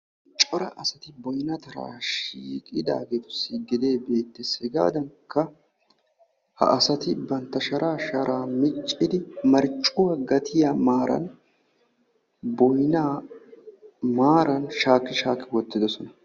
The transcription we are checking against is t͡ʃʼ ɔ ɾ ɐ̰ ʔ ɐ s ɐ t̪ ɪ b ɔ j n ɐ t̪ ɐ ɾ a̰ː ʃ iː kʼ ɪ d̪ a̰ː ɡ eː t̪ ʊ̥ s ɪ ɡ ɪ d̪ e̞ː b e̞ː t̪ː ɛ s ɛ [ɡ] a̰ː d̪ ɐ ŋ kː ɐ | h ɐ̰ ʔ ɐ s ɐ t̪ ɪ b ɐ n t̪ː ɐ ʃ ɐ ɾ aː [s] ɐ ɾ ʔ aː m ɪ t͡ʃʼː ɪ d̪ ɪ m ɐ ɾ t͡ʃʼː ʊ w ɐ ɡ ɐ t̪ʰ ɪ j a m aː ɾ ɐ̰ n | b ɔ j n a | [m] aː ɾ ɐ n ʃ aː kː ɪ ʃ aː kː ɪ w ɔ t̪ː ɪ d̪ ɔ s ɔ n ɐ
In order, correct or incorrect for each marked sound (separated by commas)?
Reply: correct, incorrect, correct